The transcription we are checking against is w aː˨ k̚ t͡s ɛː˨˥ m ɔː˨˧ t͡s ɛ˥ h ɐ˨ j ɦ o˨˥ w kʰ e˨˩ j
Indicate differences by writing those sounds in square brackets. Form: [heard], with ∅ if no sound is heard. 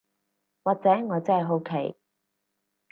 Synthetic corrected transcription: w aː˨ k̚ t͡s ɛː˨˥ [ŋ] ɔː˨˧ t͡s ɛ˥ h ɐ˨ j ɦ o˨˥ w kʰ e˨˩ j